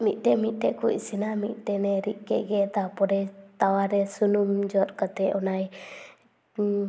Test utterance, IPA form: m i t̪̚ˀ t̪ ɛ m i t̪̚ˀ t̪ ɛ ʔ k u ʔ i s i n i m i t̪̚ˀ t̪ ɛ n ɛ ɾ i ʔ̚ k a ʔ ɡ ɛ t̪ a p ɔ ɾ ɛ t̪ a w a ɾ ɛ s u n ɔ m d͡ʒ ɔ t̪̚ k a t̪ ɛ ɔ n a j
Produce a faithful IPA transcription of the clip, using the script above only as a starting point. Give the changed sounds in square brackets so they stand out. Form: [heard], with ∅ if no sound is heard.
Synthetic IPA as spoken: m i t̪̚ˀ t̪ ɛ m i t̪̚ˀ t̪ ɛ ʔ k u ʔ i s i n [a] m i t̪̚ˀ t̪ ɛ n ɛ ɾ i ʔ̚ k [ɛ] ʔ ɡ ɛ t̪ a p ɔ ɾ ɛ t̪ a w a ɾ ɛ s u n [u] m d͡ʒ ɔ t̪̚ k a t̪ ɛ ɔ n a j